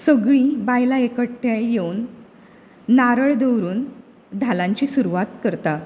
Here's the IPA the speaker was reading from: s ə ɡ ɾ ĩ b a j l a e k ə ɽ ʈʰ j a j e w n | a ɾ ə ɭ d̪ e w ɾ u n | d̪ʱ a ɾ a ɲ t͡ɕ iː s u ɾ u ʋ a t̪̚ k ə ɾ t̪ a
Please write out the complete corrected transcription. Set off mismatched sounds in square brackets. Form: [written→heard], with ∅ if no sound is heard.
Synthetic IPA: s ə ɡ [ɾ→ɭ] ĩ b a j l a e k ə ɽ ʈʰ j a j e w n | a ɾ ə ɭ d̪ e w ɾ [u→uː] n | d̪ʱ a [ɾ→l] a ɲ t͡ɕ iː s u ɾ u ʋ a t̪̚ k ə ɾ t̪ a